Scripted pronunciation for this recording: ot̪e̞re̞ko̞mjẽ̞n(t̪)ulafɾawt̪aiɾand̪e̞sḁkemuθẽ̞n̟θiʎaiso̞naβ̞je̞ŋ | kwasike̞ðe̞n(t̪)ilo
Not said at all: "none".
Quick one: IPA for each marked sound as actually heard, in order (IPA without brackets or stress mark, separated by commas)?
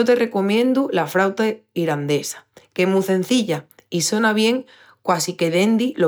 d̪, d̪